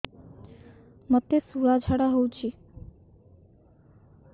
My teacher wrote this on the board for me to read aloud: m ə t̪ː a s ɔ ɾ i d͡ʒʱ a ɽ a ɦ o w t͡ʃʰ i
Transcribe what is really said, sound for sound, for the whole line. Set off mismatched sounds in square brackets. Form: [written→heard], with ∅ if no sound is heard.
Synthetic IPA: m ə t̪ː [a→e] s [ɔ→u] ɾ [i→a] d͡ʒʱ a ɽ a ɦ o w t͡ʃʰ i